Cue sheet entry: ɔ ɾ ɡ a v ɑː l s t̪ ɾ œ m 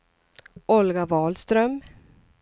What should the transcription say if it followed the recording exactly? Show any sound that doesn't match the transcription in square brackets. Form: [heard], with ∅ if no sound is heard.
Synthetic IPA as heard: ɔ [l] ɡ a v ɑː l s t̪ ɾ œ m